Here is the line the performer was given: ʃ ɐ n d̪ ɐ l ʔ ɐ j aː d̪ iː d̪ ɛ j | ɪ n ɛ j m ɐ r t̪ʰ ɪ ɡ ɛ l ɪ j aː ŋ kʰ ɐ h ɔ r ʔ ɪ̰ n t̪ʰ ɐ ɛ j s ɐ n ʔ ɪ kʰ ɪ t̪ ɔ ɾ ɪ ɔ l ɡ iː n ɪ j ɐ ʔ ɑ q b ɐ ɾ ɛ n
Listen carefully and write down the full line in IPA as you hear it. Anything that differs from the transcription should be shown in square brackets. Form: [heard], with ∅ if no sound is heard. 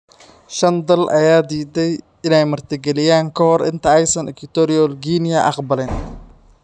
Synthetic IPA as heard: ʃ ɐ n d̪ ɐ l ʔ ɐ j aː d̪ iː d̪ ɛ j | ɪ n ɛ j m ɐ r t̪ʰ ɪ ɡ ɛ l ɪ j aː ŋ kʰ ɐ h ɔ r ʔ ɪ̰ n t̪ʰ ɐ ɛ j s ɐ n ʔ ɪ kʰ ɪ t̪ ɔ ɾ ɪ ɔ l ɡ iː n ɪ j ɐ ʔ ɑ q b ɐ [l] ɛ n